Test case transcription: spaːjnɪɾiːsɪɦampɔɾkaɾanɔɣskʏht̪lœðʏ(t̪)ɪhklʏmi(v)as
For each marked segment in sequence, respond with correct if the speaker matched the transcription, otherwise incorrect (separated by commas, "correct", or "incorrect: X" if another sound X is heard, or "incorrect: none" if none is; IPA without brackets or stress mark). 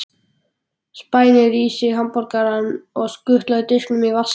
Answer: correct, correct